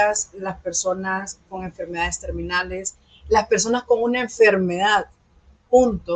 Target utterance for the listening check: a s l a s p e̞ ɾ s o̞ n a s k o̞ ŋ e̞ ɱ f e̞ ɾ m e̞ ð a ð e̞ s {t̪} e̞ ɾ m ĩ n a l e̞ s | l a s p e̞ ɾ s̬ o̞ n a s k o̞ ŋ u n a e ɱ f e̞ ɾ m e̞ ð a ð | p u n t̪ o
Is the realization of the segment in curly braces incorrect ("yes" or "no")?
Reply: no